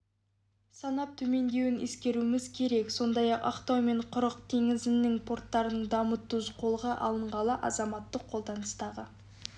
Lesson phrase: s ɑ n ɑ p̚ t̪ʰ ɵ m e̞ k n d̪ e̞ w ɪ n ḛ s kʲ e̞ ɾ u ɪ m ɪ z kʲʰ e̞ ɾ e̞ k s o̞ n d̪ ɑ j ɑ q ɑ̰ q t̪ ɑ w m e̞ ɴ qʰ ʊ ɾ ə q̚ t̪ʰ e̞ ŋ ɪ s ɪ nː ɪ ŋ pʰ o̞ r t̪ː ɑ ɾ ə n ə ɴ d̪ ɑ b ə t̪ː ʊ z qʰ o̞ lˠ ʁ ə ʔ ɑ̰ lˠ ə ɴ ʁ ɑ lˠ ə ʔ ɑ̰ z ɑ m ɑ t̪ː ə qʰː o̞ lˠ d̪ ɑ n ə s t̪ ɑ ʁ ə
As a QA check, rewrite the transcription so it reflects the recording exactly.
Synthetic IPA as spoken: s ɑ n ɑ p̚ t̪ʰ ɵ m e̞ n d̪ e̞ w ɪ n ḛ s kʲ e̞ ɾ u ɪ m ɪ z kʲʰ e̞ ɾ e̞ k s o̞ n d̪ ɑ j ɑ q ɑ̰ q t̪ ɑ w m e̞ ɴ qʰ ʊ ɾ ə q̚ t̪ʰ e̞ ŋ ɪ z ɪ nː ɪ ŋ pʰ o̞ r t̪ː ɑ ɾ ə n ə ɴ d̪ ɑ m ə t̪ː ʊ z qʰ o̞ lˠ ʁ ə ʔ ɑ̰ lˠ ə ɴ ʁ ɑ lˠ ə ʔ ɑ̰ z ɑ m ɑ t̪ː ə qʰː o̞ lˠ d̪ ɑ n ə s t̪ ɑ ʁ ə